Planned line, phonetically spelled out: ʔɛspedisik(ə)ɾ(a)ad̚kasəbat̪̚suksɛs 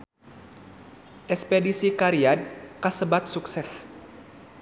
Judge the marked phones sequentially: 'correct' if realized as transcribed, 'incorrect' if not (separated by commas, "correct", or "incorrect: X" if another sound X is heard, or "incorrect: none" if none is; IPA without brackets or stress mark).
incorrect: a, incorrect: i